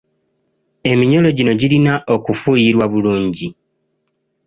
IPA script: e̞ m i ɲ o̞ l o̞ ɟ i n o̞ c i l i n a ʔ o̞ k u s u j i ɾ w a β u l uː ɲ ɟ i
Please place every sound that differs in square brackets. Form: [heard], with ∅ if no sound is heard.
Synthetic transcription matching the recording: e̞ m i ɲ o̞ l o̞ ɟ i n o̞ [ɟ] i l i n a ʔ o̞ k u [f] u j i ɾ w a β u l uː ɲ ɟ i